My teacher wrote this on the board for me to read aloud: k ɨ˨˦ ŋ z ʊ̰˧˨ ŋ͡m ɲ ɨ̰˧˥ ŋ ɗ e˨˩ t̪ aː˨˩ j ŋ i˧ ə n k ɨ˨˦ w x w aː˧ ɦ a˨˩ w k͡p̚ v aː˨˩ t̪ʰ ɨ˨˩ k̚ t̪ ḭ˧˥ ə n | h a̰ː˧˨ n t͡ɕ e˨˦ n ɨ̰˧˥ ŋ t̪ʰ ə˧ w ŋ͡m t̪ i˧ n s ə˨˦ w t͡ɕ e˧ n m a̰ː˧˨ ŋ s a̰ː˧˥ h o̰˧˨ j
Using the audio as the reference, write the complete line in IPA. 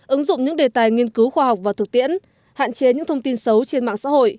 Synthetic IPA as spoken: ʔ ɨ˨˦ ŋ z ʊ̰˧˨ ŋ͡m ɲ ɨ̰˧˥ ŋ ɗ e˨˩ t̪ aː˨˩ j ŋ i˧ ə n k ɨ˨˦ w x w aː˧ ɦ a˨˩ w k͡p̚ v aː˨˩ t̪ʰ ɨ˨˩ k̚ t̪ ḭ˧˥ ə n | h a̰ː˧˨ n t͡ɕ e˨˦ ɲ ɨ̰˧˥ ŋ t̪ʰ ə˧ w ŋ͡m t̪ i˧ n s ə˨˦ w t͡ɕ e˧ n m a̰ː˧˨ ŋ s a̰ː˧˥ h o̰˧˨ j